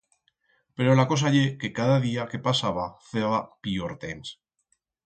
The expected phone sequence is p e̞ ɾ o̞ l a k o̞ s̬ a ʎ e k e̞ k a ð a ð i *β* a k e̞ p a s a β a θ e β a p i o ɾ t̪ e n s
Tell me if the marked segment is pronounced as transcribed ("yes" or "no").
no